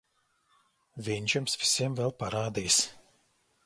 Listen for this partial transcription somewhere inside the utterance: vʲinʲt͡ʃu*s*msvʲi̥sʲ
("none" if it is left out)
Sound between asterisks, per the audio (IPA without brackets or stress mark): none